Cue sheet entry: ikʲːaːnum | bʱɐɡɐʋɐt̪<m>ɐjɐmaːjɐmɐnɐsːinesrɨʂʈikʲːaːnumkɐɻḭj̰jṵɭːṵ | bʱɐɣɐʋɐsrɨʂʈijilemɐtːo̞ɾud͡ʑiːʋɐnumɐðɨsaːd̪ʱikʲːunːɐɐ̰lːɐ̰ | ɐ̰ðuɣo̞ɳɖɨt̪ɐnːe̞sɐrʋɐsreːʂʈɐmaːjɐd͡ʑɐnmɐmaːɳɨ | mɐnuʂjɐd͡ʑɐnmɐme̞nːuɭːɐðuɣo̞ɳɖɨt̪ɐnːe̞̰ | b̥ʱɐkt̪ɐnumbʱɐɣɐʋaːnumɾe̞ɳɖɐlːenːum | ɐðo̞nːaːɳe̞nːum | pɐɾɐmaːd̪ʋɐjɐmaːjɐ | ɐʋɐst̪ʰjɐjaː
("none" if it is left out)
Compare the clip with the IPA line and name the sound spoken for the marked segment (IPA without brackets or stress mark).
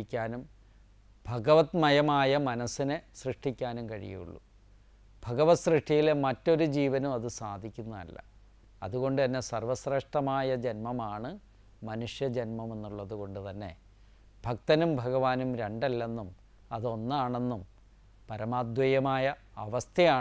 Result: m